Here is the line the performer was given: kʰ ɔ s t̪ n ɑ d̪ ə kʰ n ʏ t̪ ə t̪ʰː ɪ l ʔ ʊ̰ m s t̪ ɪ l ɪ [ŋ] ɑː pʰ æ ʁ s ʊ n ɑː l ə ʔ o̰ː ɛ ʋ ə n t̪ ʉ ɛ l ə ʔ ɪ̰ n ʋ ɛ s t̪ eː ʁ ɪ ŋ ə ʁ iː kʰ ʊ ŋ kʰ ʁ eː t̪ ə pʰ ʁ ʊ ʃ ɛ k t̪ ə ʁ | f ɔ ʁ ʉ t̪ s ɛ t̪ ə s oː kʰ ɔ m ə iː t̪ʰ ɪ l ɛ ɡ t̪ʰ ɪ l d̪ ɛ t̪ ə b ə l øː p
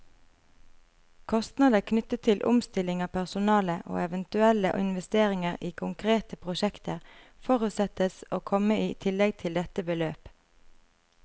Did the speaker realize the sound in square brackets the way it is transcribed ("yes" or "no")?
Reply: yes